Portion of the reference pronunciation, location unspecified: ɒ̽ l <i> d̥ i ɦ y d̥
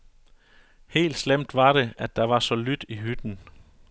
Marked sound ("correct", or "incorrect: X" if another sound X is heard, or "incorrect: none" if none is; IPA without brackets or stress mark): incorrect: y